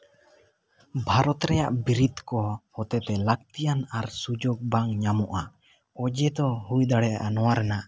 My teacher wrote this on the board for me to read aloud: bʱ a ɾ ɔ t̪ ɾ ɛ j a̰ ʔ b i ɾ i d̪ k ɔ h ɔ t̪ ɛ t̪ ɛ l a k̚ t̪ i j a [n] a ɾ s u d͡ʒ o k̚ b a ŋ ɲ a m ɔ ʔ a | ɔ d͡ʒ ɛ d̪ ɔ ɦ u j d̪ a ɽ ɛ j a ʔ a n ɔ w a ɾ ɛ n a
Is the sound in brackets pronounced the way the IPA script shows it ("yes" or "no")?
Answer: yes